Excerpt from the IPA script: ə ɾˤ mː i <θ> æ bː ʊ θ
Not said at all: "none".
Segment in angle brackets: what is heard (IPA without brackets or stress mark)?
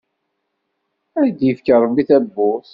θ